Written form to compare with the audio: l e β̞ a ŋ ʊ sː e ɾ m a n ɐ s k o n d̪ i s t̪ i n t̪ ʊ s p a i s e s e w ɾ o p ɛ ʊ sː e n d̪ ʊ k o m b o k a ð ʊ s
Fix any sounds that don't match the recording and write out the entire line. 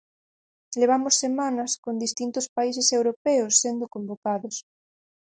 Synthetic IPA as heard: l e β̞ a m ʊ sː e m a n ɐ s k o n d̪ i s t̪ i n t̪ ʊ s p a i s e s e w ɾ o p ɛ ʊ sː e n d̪ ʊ k o m b o k a ð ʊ s